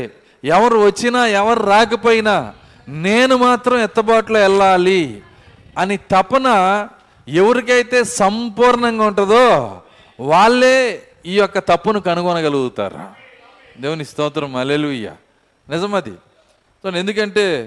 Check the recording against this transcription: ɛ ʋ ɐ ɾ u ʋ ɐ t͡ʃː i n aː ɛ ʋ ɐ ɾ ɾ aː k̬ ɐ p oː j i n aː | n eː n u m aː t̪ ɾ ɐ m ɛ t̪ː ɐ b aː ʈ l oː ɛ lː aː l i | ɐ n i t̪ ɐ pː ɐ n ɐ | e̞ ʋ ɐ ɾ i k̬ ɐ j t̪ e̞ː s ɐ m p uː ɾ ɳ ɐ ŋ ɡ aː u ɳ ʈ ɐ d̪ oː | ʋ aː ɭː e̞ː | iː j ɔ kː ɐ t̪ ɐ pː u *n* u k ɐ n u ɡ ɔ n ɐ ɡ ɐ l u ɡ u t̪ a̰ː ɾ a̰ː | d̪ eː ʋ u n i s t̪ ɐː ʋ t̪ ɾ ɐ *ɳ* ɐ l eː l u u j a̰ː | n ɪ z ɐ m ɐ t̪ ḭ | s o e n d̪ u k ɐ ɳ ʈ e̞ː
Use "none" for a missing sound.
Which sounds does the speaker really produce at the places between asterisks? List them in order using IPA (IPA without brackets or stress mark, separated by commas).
n, m